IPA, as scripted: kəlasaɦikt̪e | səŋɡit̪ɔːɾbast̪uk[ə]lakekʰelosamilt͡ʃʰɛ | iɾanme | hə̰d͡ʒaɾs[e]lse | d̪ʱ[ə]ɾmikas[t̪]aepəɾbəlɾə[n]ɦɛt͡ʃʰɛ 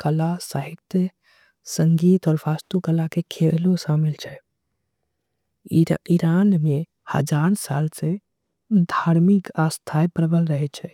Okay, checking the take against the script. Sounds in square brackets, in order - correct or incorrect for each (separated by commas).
correct, incorrect, incorrect, incorrect, incorrect